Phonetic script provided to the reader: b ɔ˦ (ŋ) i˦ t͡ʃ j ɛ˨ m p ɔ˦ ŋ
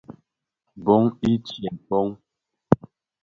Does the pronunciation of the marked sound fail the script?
no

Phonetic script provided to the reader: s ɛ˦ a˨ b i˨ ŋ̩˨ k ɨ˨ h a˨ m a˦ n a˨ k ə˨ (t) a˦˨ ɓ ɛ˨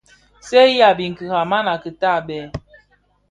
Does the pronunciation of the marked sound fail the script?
no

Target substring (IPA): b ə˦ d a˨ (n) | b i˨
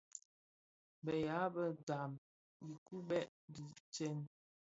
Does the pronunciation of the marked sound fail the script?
yes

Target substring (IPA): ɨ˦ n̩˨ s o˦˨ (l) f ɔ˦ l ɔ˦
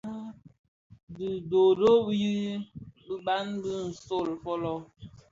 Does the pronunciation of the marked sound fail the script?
no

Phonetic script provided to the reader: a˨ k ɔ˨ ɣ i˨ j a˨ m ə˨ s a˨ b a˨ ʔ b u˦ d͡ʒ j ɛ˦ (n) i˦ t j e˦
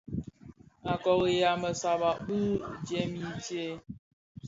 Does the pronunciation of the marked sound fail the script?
yes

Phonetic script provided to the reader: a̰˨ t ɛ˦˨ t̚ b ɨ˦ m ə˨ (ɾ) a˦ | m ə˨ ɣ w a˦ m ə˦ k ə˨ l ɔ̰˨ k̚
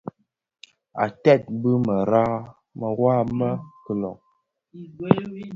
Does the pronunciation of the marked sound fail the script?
no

